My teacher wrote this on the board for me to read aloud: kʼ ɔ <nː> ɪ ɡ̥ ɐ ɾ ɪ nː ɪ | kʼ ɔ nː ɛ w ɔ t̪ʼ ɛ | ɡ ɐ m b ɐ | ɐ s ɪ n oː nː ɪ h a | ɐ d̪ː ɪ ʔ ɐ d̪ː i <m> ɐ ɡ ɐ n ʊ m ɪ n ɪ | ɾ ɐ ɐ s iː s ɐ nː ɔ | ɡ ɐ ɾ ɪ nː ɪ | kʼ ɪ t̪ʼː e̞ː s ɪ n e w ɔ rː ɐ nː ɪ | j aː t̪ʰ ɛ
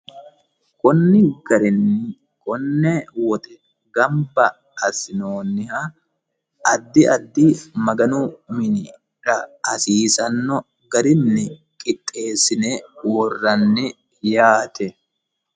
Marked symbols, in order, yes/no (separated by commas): yes, yes